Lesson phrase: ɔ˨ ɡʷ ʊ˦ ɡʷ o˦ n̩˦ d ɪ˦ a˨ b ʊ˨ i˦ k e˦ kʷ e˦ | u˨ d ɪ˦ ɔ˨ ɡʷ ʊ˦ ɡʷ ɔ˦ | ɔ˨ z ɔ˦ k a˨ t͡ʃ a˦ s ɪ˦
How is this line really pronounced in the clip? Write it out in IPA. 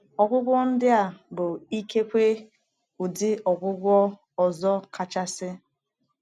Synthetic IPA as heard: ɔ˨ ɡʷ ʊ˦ ɡʷ ɔ˦ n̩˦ d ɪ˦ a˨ b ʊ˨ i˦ k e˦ kʷ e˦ | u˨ d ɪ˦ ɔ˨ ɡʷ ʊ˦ ɡʷ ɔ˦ | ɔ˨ z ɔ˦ k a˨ t͡ʃ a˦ s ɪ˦